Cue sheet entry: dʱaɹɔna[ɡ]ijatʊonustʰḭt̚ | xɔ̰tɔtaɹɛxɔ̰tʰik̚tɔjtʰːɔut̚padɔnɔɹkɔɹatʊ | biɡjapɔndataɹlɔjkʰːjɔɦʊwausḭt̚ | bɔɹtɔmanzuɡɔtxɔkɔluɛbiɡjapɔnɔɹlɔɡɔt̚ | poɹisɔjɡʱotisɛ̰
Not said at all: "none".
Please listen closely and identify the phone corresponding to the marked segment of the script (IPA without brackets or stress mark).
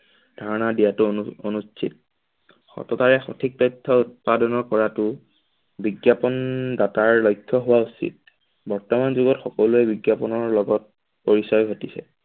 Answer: d